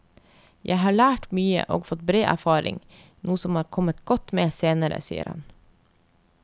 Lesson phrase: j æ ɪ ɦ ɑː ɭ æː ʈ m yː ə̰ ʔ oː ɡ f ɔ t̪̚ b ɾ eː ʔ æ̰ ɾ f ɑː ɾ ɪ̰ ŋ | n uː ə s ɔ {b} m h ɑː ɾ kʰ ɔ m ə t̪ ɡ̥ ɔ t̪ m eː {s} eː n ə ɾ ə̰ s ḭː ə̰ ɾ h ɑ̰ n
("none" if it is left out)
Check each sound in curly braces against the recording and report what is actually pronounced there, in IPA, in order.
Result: none, s

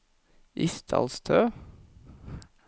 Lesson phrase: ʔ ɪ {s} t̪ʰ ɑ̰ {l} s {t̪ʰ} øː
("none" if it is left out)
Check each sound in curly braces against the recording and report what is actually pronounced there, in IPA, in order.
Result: s, l, t̪ʰ

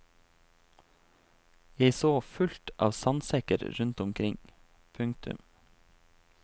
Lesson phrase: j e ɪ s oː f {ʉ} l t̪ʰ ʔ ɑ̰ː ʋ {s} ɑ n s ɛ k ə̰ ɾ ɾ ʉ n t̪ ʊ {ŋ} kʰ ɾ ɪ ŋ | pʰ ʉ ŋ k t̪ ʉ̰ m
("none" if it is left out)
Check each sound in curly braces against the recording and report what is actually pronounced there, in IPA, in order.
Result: ʉ, s, m

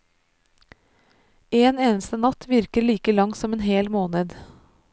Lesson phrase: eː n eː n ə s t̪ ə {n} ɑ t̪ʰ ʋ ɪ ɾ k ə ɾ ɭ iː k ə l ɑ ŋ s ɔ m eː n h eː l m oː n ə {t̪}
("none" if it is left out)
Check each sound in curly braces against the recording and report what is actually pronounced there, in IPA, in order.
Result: n, d̪

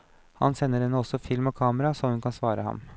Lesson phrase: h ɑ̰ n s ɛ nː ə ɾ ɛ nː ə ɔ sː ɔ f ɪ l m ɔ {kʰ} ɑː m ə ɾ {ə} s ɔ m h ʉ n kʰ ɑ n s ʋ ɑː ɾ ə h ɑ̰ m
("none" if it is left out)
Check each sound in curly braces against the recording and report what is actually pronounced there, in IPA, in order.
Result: kʰ, ɑ

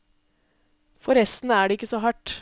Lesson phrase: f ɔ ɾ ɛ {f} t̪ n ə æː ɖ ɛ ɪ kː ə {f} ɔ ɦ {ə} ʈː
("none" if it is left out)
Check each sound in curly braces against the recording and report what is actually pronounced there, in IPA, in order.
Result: s, s, ɑ

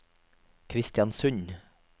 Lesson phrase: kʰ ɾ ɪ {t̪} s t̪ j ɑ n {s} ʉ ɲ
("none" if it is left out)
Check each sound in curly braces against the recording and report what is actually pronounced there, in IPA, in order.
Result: none, s

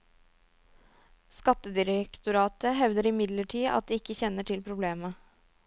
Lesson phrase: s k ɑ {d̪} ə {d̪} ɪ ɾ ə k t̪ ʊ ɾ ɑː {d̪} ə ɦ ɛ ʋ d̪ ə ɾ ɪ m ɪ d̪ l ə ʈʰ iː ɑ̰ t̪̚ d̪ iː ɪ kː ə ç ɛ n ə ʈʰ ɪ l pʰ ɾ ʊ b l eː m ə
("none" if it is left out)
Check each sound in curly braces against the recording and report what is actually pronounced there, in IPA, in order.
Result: t̪, d̪, t̪

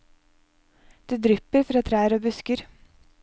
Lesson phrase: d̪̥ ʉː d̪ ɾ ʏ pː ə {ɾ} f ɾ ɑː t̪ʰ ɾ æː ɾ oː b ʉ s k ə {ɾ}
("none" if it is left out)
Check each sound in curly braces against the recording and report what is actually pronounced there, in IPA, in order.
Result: ɾ, ɾ

